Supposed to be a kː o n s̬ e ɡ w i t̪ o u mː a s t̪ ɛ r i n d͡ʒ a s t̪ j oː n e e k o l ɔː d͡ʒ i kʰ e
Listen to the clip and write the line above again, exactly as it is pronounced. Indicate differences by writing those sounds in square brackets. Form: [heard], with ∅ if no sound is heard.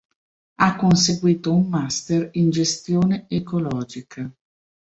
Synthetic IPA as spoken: a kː o n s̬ e ɡ w [iː] t̪ o u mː a s t̪ [e] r i n d͡ʒ [e] s t̪ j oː n e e k o l ɔː d͡ʒ i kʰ [a]